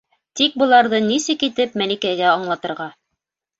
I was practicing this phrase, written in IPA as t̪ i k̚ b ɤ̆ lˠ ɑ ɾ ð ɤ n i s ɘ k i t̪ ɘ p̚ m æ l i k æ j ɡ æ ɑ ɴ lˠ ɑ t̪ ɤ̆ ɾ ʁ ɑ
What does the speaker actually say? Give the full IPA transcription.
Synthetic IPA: t̪ i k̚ b ɤ̆ lˠ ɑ ɾ ð ɤ n i s ɘ k i t̪ ɘ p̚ m æ l i k æ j ɡ æ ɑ ɴ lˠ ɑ t̪ ɤ̆ ɾ ʁ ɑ